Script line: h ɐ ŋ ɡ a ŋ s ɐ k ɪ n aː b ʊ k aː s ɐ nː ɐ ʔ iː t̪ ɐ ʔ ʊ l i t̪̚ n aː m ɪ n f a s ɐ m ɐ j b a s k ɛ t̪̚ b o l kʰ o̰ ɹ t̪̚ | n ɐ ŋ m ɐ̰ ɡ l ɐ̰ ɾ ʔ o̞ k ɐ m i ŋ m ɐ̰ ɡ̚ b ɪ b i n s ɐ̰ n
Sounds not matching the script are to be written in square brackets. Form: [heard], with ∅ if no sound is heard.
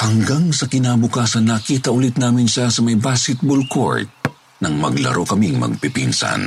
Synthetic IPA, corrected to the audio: h ɐ ŋ ɡ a ŋ s ɐ k ɪ n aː b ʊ k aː s ɐ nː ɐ [k] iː t̪ ɐ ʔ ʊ l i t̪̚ n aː m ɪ n [ʃ] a s ɐ m ɐ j b a s k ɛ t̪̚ b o l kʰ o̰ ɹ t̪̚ | n ɐ ŋ m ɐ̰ ɡ l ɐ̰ ɾ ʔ o̞ k ɐ m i ŋ m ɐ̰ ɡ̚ [p] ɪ [p] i n s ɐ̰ n